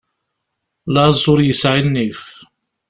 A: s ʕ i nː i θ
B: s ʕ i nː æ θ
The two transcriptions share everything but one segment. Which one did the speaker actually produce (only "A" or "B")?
A